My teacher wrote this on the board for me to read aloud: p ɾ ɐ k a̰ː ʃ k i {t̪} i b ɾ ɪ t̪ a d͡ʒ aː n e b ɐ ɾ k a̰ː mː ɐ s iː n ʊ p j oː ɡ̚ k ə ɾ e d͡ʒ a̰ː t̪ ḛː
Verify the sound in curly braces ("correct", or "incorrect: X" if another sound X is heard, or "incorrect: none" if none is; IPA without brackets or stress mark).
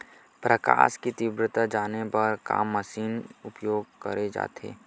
correct